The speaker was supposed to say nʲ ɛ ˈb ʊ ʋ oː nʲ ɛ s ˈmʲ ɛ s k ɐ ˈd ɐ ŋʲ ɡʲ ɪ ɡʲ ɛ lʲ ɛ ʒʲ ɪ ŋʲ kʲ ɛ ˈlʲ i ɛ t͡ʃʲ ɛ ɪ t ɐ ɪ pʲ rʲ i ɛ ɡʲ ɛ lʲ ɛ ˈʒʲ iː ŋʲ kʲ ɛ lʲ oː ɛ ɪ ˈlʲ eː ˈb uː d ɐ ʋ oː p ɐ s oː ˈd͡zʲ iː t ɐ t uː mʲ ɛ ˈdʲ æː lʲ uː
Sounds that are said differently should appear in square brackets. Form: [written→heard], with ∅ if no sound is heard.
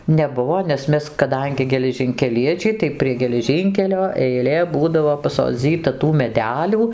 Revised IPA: nʲ ɛ ˈb ʊ ʋ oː nʲ ɛ s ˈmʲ ɛ s k ɐ ˈd ɐ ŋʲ ɡʲ ɪ ɡʲ ɛ lʲ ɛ ʒʲ ɪ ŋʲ kʲ ɛ ˈlʲ i ɛ t͡ʃʲ ɛ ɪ t ɐ ɪ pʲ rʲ i ɛ ɡʲ ɛ lʲ ɛ ˈʒʲ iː ŋʲ kʲ ɛ lʲ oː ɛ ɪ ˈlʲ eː ˈb uː d ɐ ʋ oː p ɐ s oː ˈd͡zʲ iː t ɐ t uː mʲ ɛ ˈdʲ æː lʲ uː